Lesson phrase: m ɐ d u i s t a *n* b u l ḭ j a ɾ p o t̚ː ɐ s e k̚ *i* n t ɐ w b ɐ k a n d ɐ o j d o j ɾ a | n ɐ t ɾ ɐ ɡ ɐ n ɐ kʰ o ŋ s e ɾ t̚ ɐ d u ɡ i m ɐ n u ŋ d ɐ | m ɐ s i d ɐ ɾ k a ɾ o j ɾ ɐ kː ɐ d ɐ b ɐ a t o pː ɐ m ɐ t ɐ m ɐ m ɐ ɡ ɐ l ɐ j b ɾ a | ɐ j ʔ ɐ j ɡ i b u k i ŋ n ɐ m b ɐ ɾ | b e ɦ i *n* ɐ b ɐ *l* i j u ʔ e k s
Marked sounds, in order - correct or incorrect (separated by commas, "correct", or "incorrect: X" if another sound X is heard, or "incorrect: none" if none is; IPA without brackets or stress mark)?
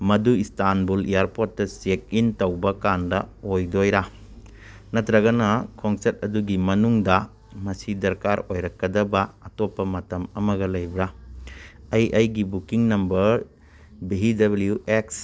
correct, correct, incorrect: d, correct